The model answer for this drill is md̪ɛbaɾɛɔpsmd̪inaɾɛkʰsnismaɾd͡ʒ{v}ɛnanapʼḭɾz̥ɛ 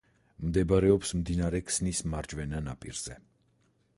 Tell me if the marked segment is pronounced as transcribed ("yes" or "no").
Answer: yes